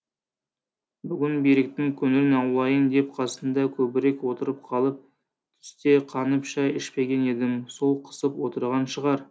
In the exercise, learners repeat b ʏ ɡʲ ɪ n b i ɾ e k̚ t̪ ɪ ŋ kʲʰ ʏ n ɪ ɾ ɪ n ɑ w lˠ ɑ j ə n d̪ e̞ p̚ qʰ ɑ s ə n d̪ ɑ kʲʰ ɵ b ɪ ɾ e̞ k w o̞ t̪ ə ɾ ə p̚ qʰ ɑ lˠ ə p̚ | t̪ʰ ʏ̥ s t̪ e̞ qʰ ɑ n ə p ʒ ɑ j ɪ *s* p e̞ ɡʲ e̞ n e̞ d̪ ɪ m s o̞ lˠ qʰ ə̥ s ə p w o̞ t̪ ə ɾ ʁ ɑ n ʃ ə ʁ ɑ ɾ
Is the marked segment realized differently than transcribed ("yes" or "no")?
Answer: yes